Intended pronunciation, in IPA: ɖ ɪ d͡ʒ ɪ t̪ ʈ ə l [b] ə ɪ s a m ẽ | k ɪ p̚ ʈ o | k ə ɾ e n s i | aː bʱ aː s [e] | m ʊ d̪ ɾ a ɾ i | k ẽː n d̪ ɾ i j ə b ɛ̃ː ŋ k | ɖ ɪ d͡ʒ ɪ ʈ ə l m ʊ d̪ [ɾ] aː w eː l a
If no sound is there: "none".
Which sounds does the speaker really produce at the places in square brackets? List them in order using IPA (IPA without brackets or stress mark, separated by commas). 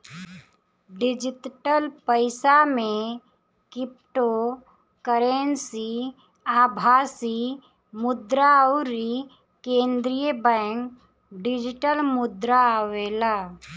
p, i, ɾ